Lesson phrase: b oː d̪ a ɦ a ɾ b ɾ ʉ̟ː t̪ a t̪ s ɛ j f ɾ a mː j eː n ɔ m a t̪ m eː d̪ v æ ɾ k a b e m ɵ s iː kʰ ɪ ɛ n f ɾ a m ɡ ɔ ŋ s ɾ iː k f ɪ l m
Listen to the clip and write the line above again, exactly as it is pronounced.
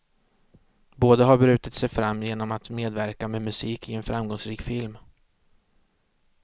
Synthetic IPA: b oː d̪ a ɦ a ɾ b ɾ ʉ̟ː t̪ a t̪ s ɛ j f ɾ a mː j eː n ɔ m a t̪ m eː d̪ v æ ɾ k a m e m ɵ s iː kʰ ɪ ɛ n f ɾ a m ɡ ɔ ŋ s ɾ iː k f ɪ l m

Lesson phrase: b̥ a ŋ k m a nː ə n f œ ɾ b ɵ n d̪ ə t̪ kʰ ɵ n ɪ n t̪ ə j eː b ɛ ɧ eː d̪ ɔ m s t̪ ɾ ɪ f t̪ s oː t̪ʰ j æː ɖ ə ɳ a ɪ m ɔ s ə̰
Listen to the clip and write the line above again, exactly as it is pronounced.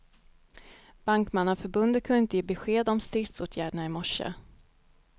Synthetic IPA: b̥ a ŋ k m a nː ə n f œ ɾ b ɵ n d̪ ə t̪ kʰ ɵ n ɪ n t̪ ə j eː b ɛ ɧ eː d̪ ɔ m s t̪ ɾ ɪ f t̪ s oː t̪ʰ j æː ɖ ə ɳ a ɪ m ɔ ʂ ə̰

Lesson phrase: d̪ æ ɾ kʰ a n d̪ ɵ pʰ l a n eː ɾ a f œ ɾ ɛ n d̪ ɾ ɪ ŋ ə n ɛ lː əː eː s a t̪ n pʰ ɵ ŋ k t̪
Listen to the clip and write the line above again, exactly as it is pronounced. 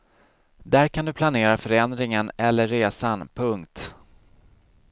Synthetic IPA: d̪ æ ɾ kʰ a n d̪ ɵ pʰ l a n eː ɾ a f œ ɾ ɛ n d̪ ɾ ɪ ŋ ə n ɛ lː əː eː s a n pʰ ɵ ŋ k t̪

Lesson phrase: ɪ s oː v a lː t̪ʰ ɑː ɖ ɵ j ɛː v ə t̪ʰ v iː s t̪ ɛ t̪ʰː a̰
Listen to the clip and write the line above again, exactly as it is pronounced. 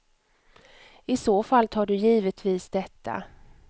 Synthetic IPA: ɪ s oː f a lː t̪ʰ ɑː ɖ ɵ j iː v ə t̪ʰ v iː s d̪ ɛ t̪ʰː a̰

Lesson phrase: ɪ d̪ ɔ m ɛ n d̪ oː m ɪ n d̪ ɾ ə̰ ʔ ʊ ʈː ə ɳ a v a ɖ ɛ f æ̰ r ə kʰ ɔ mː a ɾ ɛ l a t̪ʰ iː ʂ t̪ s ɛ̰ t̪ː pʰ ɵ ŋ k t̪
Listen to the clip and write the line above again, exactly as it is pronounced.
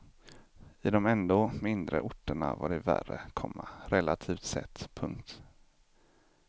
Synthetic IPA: ɪ d̪ ɔ m ɛ n d̪ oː m ɪ n d̪ ɾ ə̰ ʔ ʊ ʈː ə ɳ a v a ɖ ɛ v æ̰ r ə kʰ ɔ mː a ɾ ɛ l a t̪ʰ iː f t̪ s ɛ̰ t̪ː pʰ ɵ ŋ k t̪

